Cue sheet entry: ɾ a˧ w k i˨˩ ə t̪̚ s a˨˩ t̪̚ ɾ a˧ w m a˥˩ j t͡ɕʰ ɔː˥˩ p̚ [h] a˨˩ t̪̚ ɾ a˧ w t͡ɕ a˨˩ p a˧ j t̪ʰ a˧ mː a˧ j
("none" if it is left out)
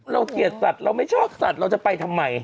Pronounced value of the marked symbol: s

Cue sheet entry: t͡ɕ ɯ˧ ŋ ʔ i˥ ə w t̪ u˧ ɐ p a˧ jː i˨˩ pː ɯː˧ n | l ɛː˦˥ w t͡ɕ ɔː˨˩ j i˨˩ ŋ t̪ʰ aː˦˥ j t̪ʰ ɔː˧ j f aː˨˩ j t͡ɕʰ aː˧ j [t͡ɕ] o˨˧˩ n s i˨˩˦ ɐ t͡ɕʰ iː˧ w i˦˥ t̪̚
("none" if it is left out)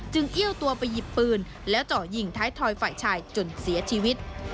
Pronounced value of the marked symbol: t͡ɕ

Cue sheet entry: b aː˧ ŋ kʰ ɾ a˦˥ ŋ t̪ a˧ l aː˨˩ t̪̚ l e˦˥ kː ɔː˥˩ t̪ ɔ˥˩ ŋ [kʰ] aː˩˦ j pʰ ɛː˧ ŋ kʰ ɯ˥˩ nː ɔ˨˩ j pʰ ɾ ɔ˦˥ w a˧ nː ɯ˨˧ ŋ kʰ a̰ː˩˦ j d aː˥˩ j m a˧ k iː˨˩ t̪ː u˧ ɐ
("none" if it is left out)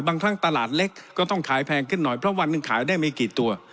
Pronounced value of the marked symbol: kʰ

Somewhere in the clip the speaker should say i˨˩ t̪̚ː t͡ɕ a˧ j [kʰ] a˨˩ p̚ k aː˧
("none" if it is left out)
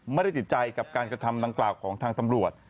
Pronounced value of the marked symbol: k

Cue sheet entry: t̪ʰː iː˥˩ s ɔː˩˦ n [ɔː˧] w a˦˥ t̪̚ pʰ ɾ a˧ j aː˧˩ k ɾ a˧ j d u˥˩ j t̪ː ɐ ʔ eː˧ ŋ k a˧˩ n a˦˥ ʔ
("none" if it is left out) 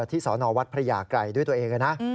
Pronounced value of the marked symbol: ɔː˧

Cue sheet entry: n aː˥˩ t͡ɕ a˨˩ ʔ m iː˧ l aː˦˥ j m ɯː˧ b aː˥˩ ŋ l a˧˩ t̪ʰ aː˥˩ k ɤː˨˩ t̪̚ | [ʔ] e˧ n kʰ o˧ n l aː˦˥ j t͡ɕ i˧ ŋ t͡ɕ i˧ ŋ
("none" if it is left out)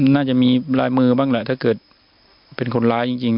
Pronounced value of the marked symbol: p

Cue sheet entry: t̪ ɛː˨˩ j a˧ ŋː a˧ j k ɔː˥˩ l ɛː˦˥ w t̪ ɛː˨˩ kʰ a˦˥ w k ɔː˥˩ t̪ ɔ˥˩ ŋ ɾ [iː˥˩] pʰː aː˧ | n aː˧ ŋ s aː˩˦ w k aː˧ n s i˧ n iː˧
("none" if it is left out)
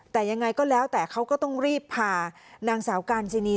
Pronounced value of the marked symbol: iː˥˩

